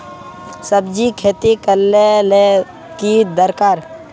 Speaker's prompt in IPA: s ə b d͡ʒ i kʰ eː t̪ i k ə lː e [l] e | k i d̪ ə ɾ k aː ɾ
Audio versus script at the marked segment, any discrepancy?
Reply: no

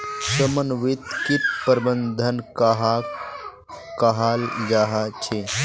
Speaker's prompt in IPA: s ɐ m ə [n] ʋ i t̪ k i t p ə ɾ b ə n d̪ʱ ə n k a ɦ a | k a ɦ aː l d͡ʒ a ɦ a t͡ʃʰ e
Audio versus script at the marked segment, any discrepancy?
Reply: no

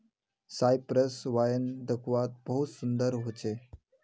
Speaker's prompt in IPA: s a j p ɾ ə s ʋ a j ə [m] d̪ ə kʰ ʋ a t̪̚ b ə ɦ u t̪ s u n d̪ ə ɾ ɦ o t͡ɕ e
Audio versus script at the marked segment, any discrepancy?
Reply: yes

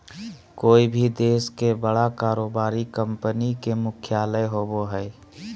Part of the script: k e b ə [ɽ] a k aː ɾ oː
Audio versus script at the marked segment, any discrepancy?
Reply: no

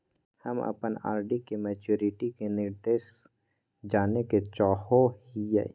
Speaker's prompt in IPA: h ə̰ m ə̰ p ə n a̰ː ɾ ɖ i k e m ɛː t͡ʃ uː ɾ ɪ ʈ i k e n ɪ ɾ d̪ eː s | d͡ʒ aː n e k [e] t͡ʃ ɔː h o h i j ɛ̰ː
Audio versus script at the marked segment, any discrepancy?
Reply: no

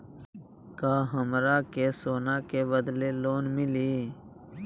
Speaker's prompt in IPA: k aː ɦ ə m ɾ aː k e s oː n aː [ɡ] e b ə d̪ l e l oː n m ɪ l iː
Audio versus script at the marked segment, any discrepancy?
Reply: yes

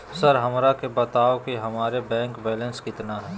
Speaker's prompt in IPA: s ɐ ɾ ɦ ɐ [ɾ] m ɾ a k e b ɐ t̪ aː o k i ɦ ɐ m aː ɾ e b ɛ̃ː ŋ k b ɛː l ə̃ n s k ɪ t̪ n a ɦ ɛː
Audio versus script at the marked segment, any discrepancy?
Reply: yes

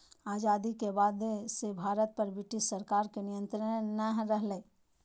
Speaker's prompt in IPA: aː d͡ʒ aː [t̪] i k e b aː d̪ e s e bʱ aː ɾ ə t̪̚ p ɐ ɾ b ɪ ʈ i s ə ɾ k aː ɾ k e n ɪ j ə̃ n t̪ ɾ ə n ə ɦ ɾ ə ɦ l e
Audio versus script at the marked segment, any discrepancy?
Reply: yes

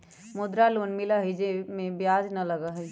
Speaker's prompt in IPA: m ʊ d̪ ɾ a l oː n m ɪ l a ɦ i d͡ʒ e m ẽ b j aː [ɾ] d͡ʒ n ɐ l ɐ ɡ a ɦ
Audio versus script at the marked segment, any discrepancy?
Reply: yes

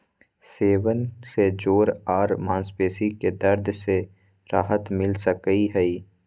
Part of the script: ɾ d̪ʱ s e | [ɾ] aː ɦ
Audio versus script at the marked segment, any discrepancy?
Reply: no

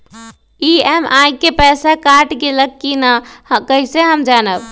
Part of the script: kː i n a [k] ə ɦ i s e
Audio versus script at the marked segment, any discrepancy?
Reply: no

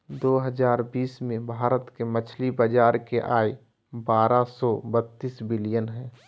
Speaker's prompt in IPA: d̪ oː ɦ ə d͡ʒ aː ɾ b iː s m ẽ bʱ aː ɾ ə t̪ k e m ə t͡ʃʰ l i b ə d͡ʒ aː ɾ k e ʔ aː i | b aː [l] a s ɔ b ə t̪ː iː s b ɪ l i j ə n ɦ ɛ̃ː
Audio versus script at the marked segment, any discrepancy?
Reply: yes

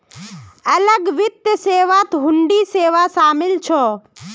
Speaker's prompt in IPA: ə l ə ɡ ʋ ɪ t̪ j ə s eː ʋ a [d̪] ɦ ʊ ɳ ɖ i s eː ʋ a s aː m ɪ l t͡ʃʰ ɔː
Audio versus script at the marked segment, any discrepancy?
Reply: yes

